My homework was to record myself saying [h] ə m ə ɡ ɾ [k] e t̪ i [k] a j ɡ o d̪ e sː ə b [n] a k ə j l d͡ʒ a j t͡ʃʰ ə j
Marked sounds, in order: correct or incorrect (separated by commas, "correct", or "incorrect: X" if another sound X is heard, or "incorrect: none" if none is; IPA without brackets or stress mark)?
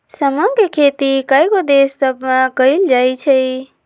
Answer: incorrect: s, incorrect: kʰ, correct, incorrect: m